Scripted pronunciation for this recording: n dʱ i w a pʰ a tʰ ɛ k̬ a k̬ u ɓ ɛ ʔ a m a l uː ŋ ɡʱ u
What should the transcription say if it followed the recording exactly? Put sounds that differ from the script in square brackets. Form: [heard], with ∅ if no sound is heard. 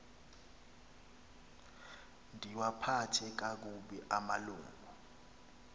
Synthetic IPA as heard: n dʱ i w a pʰ a tʰ ɛ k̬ a k̬ u ɓ ɛ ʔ a m a l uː ŋ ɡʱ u